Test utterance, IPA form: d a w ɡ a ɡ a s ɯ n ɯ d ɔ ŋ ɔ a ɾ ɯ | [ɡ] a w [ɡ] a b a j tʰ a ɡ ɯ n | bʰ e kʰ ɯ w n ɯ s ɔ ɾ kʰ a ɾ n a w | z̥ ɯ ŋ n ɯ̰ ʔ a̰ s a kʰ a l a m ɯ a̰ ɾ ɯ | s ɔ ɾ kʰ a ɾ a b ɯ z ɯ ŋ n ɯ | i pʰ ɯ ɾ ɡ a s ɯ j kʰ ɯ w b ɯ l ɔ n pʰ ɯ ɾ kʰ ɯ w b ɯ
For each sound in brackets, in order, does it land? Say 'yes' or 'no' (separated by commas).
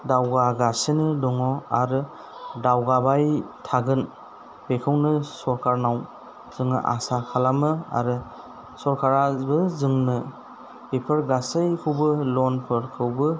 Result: no, yes